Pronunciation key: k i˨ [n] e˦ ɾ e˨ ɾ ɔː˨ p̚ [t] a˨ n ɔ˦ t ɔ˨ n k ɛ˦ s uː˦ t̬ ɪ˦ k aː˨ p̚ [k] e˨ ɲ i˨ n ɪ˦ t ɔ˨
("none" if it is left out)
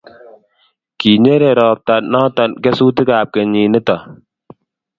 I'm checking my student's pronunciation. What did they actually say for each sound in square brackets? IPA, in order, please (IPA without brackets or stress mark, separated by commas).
ɲ, t, k